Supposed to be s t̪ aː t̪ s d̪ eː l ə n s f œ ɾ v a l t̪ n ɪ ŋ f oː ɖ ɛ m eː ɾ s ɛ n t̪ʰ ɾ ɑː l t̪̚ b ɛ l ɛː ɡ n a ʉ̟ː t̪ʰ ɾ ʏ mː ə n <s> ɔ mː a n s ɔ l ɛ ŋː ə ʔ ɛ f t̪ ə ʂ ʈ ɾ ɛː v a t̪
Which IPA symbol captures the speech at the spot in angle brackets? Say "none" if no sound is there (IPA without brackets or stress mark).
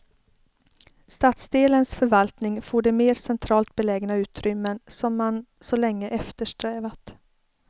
s